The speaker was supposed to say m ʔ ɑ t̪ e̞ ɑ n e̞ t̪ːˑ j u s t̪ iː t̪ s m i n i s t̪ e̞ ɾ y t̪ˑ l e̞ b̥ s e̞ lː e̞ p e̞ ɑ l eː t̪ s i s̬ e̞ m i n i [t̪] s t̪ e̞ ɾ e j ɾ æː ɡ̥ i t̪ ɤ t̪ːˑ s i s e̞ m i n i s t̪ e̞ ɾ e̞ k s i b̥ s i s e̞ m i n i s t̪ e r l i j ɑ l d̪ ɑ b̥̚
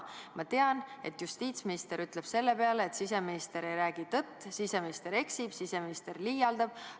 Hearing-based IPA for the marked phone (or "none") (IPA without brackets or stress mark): none